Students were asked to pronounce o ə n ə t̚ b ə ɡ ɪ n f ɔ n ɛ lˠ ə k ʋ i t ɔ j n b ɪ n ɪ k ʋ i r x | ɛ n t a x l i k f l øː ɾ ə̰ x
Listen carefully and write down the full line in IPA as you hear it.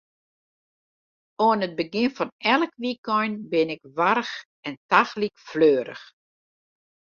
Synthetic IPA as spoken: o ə n ə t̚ b ə ɡ ɪ n f ɔ n ɛ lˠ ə k ʋ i k ɔ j n b ɪ n ɪ k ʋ a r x | ɛ n t a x l i k f l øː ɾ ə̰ x

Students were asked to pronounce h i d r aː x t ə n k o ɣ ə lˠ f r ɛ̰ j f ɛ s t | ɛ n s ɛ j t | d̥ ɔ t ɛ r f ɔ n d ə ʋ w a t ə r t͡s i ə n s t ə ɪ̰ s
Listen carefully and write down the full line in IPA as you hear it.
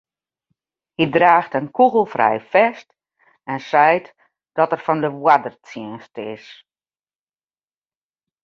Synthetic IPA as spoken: h i d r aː x t ə n k u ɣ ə lˠ f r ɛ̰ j f ɛ s t | ɛ n s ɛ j t | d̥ ɔ t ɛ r f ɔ n d ə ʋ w a d ə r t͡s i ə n s t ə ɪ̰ s

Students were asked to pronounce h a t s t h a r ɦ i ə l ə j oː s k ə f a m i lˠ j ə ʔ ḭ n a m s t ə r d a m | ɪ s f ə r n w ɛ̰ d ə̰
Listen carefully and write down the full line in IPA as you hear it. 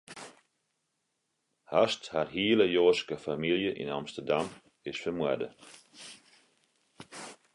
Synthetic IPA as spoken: h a s t h a r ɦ i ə l ə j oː s k ə f a m i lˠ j ə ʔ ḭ n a m s t ə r d a m | ɪ s f ə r m w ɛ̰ d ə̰

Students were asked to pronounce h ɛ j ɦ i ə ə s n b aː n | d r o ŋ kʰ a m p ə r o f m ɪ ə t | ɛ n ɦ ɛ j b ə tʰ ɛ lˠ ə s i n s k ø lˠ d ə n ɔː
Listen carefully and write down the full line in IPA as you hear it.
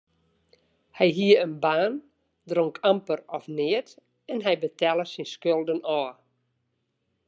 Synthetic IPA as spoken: h ɛ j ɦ i ə ə n b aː n | d r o ŋ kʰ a m p ə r ɔ f n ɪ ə t | ɛ n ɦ ɛ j b ə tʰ ɛ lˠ ə s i n s k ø lˠ d ə n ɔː

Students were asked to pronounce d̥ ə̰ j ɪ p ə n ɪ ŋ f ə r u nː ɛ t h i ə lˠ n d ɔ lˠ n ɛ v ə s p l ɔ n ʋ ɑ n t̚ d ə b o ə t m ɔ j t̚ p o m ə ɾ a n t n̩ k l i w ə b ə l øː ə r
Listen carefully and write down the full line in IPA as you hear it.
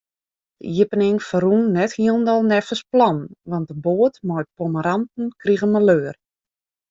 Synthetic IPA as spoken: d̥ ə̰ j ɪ p ə n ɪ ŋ f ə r u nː ɛ t h i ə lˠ n d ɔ lˠ n ɛ f ə s p l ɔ n ʋ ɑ n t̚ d ə b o ə t m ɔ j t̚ p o m ə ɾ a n t n̩ k r i ɣ ə m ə l øː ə r

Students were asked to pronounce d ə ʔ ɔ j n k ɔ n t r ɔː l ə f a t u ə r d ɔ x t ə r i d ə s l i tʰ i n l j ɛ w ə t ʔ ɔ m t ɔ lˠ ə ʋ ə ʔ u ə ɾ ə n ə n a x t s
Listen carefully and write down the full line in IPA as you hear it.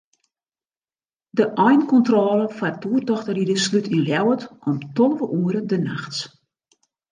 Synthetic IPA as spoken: d ə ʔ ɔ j n k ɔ n t r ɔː l ə f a t u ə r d ɔ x t ə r i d ə s l y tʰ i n l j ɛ w ə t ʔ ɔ m t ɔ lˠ ə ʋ ə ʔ u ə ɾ ə d ə n a x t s

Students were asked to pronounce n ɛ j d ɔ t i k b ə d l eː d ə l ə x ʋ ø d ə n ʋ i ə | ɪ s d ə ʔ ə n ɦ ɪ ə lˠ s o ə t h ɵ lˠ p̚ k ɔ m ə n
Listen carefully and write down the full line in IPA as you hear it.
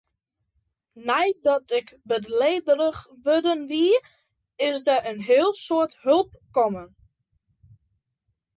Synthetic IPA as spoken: n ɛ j d ɔ t ɪ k b ə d l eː d ə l ə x ʋ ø d ə n ʋ i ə | ɪ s d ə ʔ ə n ɦ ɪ ə lˠ s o ə t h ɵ lˠ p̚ k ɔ m ə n

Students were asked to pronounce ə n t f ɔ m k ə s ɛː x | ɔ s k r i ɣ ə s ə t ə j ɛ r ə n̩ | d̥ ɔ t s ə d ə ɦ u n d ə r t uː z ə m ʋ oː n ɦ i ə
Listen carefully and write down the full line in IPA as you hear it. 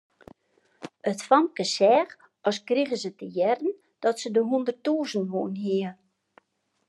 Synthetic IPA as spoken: ə t f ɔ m k ə s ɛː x | ɔ s k r i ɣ ə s ə t ə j ɛ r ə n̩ | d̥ ɔ t s ə d ə ɦ u n d ə r t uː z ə n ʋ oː n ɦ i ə

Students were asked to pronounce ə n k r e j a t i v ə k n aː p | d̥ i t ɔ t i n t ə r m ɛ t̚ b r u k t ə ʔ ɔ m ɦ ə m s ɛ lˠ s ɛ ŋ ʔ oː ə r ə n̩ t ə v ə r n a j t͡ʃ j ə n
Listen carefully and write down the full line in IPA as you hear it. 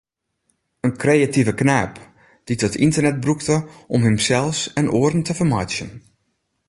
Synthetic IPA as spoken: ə n k r e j a t i v ə k n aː p | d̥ i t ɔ t i n t ə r n ɛ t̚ b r u k t ə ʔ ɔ m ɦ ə m s ɛ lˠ s ɛ n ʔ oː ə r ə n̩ t ə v ə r m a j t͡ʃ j ə n

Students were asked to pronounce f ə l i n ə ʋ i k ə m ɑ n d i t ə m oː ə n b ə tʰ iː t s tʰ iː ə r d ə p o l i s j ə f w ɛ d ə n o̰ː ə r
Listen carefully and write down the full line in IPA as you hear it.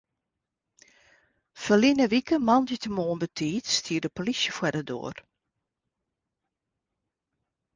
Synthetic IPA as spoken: f ə l i n ə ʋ i k ə m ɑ n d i t ə m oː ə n b ə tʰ iː t s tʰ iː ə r d ə p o l i s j ə f w ɛ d ə d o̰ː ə r

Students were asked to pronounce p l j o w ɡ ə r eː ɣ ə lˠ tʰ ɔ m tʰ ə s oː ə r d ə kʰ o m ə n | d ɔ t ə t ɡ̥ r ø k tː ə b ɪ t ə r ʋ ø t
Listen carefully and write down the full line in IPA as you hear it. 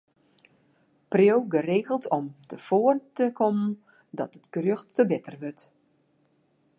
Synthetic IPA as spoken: p r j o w ɡ ə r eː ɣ ə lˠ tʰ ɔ m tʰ ə f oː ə r t ə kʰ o m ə n | d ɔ t ə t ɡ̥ r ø x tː ə b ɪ t ə r ʋ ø t

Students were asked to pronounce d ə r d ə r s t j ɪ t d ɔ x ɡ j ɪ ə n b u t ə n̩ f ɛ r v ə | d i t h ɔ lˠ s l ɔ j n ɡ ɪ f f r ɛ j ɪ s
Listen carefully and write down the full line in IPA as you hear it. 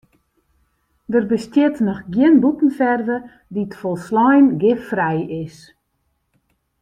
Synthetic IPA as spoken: d ə r b ə s t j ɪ t n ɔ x ɡ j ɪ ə n b u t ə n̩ f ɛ r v ə | d i t f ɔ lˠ s l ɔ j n ɡ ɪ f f r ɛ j ɪ s

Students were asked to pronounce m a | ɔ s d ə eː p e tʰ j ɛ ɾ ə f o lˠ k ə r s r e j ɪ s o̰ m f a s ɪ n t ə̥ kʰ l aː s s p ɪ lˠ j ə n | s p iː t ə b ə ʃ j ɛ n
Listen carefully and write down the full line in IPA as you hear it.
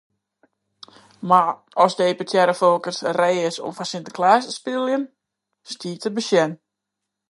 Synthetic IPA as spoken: m a | ɔ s d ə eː p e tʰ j ɛ ɾ ə f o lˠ k ə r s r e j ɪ s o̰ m f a s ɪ n t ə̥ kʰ l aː s s p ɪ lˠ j ə n | s t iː t ə b ə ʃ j ɛ n

